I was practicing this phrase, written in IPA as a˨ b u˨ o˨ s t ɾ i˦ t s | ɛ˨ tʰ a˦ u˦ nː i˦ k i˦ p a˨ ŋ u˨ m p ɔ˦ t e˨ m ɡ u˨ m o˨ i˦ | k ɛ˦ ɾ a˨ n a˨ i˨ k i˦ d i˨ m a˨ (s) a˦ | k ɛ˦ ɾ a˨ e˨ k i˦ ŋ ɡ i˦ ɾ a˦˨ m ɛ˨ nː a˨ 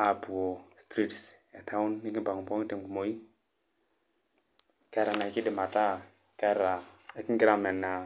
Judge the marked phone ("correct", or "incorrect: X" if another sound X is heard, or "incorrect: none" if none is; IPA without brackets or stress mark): incorrect: t